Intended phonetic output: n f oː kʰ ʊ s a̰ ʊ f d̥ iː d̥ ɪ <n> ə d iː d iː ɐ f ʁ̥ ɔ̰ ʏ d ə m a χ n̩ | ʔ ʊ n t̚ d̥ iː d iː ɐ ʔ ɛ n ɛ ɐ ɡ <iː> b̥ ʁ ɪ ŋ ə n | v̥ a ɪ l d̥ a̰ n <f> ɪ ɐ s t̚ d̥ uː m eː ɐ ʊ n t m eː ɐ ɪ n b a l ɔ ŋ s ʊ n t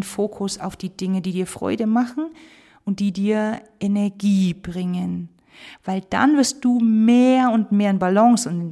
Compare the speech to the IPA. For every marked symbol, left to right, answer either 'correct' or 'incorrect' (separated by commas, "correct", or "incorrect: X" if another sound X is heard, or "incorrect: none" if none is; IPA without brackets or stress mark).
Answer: incorrect: ŋ, correct, incorrect: v